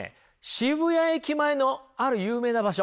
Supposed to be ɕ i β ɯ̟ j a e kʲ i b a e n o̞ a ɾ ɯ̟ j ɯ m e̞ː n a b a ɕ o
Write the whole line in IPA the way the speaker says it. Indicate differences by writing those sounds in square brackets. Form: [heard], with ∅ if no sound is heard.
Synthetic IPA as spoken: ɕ i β ɯ̟ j a e kʲ i [m] a e n o̞ a ɾ ɯ̟ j [ɯː] m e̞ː n a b a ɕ o